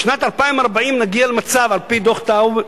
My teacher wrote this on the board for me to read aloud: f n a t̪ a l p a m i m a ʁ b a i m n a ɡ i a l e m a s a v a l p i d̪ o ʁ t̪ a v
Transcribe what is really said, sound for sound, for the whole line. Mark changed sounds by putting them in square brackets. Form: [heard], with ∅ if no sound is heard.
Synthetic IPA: [ʃ] n a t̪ a l p a [∅] i m a ʁ b a i m n a ɡ i a l e m a [t͡s] a v a l p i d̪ o [χ] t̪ a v